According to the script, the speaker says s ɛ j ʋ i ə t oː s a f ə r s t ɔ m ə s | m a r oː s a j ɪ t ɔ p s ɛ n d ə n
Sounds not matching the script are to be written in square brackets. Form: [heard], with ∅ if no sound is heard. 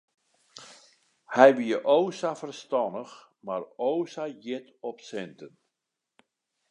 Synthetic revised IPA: [h] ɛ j ʋ i ə [ʔ] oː s a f ə r s t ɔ [n] ə [x] | m a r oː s a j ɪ t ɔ p s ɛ n [t] ə n